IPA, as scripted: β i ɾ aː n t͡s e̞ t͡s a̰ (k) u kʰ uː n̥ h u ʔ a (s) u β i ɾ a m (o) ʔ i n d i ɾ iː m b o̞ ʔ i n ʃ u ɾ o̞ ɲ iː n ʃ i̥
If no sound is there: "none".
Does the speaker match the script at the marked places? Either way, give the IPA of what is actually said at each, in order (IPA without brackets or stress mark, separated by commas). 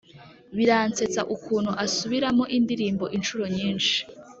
ʔ, s, o